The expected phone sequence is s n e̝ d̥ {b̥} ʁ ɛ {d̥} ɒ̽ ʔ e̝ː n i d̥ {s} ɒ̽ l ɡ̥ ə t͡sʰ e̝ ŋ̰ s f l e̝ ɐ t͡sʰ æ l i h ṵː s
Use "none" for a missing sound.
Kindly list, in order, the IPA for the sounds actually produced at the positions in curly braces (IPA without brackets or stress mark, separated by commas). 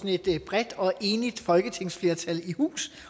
b̥, d̥, f